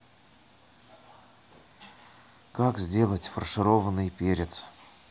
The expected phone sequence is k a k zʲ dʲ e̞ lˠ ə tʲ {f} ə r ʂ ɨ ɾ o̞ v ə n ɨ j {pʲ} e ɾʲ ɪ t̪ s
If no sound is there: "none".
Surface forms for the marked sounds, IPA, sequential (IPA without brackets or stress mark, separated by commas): f, pʲ